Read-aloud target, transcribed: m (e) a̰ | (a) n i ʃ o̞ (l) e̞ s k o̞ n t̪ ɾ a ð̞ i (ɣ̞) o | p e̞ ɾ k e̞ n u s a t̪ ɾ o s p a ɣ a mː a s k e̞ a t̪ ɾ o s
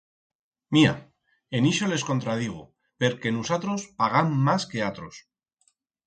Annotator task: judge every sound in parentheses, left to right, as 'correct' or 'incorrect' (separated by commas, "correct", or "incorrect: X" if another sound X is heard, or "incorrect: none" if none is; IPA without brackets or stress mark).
incorrect: i, incorrect: e, correct, correct